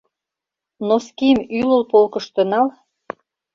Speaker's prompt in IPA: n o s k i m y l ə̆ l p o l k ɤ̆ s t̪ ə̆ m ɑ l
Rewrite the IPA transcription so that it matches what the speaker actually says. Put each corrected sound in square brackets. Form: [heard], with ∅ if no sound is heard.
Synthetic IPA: n o s k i m y l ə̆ l p o l k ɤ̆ [ʃ] t̪ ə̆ [n] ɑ l